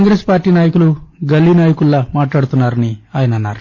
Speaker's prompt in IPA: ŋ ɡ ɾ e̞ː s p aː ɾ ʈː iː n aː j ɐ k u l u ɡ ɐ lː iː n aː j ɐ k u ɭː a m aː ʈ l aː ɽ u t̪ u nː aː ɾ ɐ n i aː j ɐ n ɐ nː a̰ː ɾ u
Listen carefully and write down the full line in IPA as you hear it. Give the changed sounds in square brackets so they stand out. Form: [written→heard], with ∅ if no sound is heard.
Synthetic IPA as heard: ŋ ɡ ɾ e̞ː s p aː ɾ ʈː iː n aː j ɐ k u l u ɡ ɐ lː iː n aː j ɐ k u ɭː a m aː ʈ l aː ɽ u t̪ u nː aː ɾ ɐ n i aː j ɐ n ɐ nː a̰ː ɾ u